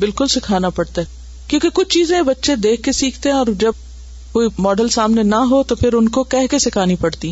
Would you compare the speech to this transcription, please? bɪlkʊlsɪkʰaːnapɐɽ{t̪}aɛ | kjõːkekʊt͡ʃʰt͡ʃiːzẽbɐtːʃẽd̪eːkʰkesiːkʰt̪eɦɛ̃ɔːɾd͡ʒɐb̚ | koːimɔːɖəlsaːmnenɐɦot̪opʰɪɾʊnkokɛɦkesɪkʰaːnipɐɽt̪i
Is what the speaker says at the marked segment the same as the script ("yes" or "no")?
yes